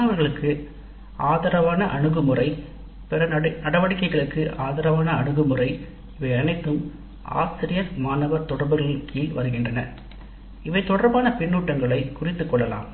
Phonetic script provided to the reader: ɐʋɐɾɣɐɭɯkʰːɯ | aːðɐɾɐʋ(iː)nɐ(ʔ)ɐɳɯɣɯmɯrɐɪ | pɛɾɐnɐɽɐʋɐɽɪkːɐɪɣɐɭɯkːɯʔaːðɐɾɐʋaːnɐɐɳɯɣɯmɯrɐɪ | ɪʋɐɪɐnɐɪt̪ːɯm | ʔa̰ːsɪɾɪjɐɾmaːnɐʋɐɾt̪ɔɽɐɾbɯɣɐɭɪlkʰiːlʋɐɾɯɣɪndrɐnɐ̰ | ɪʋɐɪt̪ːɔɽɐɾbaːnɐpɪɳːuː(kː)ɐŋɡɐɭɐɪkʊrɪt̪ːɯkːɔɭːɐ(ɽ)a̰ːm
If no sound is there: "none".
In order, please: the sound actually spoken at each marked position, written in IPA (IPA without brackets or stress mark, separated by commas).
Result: aː, ʔ, ʈː, l